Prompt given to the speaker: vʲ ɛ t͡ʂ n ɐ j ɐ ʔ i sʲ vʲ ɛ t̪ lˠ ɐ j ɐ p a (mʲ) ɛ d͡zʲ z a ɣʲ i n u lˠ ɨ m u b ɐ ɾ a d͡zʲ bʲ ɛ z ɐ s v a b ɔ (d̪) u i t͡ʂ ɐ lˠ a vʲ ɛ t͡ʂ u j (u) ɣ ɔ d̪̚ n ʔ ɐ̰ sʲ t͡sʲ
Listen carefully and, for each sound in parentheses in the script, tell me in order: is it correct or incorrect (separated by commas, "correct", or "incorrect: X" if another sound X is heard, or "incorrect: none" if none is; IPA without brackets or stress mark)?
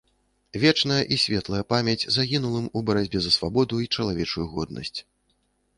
correct, correct, correct